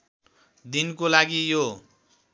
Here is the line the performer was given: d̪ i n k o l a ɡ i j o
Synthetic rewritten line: d̪ i n k o l a ɡ i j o